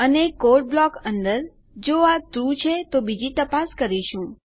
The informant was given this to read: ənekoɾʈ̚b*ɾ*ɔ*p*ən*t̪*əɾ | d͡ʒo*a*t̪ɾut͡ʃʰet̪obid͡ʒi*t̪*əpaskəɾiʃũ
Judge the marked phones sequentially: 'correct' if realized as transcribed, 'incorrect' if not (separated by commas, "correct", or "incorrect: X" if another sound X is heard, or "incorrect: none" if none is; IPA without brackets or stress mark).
incorrect: l, incorrect: k, incorrect: d̪, correct, correct